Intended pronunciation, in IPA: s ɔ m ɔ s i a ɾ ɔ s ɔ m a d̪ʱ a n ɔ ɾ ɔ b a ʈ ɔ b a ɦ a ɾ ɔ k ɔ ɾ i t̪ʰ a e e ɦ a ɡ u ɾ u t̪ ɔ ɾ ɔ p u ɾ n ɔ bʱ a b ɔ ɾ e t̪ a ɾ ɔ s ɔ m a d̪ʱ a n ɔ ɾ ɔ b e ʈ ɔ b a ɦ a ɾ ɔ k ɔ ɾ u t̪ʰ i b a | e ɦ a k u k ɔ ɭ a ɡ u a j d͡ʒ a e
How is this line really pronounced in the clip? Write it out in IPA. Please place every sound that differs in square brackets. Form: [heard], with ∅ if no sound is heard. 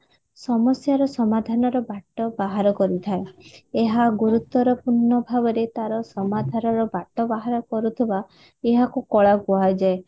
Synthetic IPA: s ɔ m ɔ s [j] a ɾ ɔ s ɔ m a d̪ʱ a n ɔ ɾ ɔ b a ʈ ɔ b a ɦ a ɾ ɔ k ɔ ɾ i t̪ʰ a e e ɦ a ɡ u ɾ u t̪ ɔ ɾ ɔ p u ɾ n ɔ bʱ a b ɔ ɾ e t̪ a ɾ ɔ s ɔ m a d̪ʱ a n ɔ ɾ ɔ b [a] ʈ ɔ b a ɦ a ɾ ɔ k ɔ ɾ u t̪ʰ i b a | e ɦ a k u k ɔ ɭ a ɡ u a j d͡ʒ a e